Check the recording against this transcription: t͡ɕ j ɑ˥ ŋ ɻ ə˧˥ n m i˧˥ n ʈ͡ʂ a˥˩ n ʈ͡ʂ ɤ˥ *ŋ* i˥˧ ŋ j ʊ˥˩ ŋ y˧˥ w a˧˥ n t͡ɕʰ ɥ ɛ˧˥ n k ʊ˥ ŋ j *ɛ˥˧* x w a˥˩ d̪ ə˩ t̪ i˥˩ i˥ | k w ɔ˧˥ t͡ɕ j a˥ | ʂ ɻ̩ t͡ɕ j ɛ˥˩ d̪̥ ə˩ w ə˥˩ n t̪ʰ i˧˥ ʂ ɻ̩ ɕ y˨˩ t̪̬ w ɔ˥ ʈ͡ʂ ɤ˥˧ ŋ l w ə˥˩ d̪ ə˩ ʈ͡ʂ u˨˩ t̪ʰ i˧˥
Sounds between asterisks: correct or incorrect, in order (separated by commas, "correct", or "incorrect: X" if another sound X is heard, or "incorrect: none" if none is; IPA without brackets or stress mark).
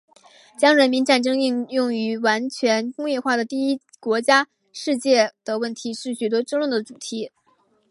correct, correct